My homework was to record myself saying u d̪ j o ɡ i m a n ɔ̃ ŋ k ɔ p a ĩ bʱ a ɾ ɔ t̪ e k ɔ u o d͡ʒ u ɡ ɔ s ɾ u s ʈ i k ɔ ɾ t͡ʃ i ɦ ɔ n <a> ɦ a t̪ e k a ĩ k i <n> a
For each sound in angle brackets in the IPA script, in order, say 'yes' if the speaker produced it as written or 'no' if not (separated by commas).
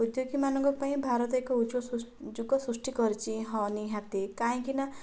no, yes